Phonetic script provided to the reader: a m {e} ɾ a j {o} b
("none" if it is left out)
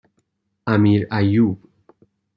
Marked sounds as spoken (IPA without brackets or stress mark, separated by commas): i, u